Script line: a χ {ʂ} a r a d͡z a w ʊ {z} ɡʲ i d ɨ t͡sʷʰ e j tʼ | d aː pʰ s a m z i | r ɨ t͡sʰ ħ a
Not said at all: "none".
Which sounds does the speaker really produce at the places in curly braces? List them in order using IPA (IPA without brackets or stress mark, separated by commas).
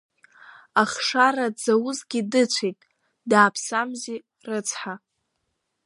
ʂ, z